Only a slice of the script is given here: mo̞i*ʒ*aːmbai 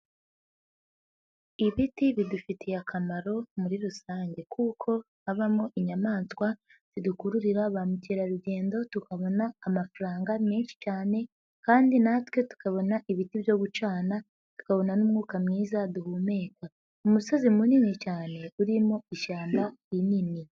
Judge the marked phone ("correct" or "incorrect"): incorrect